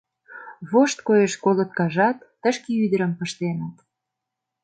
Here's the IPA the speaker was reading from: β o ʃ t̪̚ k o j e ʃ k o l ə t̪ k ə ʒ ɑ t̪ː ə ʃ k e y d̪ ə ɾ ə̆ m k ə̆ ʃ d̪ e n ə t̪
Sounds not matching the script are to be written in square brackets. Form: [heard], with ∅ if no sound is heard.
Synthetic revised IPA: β o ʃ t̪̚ k o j e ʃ k o l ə t̪ k [ɑ] ʒ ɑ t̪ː ə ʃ k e y d̪ ə ɾ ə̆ m [p] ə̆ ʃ [t̪] e n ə t̪